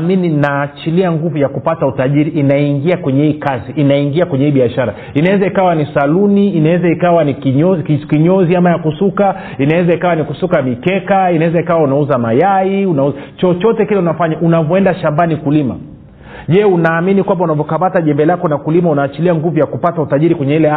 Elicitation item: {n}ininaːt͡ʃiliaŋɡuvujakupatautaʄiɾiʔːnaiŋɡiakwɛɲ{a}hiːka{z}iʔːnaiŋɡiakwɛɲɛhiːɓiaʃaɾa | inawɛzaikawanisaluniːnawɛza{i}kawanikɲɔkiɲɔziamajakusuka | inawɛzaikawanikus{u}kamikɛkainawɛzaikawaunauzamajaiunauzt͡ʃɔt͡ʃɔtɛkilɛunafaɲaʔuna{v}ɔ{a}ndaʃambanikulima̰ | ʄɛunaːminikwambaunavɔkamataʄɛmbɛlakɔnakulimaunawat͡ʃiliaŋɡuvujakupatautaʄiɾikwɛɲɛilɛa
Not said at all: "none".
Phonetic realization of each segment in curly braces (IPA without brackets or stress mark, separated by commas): m, ɛ, z, i, u, v, ɛ